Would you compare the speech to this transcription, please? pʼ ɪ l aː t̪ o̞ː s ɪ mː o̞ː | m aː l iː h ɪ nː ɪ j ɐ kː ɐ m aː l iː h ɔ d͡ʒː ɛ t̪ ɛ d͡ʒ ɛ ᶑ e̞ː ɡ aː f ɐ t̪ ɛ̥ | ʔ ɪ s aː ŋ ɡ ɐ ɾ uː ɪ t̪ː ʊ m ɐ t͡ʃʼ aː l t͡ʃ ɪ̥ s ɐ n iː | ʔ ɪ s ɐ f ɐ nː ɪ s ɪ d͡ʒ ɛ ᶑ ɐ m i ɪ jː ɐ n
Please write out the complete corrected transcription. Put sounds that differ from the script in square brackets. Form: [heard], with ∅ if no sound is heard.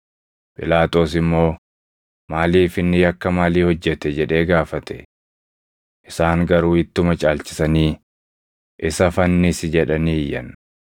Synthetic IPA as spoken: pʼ ɪ l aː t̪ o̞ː s ɪ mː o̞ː | m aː l iː [f] ɪ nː ɪ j ɐ kː ɐ m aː l iː h ɔ d͡ʒː ɛ t̪ ɛ d͡ʒ ɛ ᶑ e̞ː ɡ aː f ɐ t̪ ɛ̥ | ʔ ɪ s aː ŋ ɡ ɐ ɾ uː ɪ t̪ː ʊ m ɐ t͡ʃʼ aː l t͡ʃ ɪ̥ s ɐ n iː | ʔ ɪ s ɐ f ɐ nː ɪ s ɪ d͡ʒ ɛ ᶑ ɐ [n] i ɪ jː ɐ n